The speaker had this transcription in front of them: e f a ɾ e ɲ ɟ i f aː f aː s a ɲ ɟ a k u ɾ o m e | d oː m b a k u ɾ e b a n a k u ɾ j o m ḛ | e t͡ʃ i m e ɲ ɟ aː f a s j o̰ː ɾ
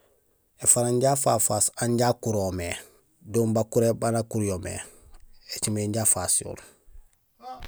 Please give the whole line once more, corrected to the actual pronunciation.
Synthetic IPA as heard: e f a ɾ a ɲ ɟ a f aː f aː s a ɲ ɟ a k u ɾ o m e | d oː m b a k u ɾ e b a n a k u ɾ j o m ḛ | e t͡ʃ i m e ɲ ɟ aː f a s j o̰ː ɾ